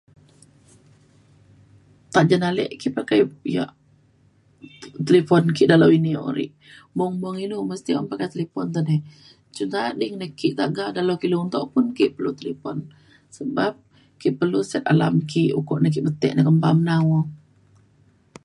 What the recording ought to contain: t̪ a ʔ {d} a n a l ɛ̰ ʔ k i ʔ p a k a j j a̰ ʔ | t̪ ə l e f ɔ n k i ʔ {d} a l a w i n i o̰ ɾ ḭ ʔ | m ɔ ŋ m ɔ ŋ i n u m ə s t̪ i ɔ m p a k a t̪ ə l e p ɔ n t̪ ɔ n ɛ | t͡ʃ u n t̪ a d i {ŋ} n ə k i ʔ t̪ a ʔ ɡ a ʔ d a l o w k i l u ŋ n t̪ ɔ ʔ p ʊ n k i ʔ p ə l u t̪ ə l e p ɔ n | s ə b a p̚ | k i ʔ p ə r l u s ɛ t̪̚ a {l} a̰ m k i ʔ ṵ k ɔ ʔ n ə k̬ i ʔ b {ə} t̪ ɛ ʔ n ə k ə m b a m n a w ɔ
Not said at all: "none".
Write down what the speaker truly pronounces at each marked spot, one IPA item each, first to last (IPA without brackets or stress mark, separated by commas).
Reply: d͡ʒ, d, ŋ, l, ə